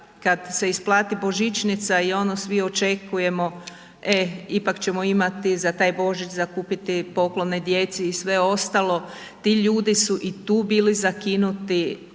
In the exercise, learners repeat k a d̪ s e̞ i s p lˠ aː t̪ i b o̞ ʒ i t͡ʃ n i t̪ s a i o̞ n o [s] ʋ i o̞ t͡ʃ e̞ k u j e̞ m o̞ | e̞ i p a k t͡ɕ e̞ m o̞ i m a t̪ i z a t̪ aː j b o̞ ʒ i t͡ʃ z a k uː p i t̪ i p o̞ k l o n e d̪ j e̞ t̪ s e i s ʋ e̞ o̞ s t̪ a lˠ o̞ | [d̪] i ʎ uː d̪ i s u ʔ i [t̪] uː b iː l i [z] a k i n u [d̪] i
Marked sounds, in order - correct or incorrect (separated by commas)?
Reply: correct, incorrect, correct, correct, incorrect